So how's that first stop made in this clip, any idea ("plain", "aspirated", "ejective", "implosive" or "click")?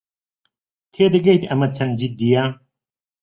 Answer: aspirated